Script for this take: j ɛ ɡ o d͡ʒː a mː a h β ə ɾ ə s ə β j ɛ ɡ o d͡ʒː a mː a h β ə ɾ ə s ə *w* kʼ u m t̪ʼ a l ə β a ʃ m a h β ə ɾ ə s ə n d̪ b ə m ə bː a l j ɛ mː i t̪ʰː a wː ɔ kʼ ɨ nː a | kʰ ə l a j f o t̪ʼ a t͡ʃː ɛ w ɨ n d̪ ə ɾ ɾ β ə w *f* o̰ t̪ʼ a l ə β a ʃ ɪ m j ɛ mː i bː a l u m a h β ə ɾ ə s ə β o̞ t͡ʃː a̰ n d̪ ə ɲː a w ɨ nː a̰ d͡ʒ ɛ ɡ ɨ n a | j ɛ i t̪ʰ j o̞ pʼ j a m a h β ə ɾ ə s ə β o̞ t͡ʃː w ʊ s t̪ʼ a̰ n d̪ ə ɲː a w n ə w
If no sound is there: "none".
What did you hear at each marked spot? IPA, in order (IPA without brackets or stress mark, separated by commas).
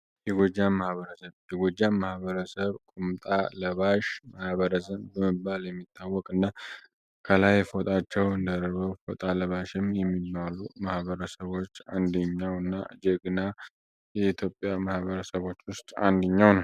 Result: β, f